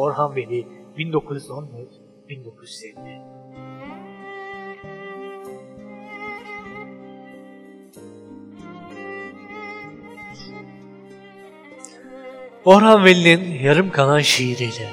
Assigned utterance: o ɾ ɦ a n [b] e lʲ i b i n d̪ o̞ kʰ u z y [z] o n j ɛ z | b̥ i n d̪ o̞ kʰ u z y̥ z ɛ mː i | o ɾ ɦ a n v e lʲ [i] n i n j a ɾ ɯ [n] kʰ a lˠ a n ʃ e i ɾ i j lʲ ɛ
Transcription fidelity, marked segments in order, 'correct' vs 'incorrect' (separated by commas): incorrect, correct, correct, incorrect